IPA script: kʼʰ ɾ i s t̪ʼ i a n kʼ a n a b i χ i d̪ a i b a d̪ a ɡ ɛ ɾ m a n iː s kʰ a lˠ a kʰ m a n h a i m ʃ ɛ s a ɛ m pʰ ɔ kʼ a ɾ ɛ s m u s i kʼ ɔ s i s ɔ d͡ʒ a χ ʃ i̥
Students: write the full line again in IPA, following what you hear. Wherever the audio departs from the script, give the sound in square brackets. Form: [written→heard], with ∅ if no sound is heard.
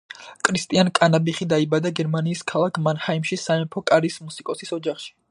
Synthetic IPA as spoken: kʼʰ ɾ i s t̪ʼ i a n kʼ a n a b i χ i d̪ a i b a d̪ a ɡ ɛ ɾ m a n iː s kʰ a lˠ a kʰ m a n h a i m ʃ [ɛ→i] s a ɛ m pʰ ɔ kʼ a ɾ [ɛ→i] s m u s i kʼ ɔ s i s ɔ d͡ʒ a χ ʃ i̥

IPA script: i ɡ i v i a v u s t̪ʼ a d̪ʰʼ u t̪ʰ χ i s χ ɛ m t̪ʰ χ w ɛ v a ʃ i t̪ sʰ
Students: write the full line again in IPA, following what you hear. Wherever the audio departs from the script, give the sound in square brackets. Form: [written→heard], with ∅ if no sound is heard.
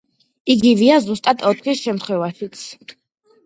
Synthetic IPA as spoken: i ɡ i v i a [v→z] u s t̪ʼ a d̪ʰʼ [u→ɔ] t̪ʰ χ i s [χ→ʃ] ɛ m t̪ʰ χ w ɛ v a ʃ i t̪ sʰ

